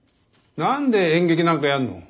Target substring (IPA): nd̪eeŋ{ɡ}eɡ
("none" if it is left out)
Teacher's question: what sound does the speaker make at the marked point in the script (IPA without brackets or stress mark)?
ɡ